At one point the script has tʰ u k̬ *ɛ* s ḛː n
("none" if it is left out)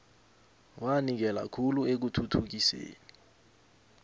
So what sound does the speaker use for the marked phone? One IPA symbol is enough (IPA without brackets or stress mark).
i